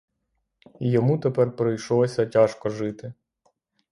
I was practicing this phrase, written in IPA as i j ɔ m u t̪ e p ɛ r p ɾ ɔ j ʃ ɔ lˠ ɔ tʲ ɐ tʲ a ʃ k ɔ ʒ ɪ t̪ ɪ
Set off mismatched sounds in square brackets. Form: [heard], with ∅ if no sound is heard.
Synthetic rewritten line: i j ɔ m u t̪ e p ɛ r p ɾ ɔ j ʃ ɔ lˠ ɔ [sʲ] ɐ tʲ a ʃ k ɔ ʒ ɪ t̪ ɪ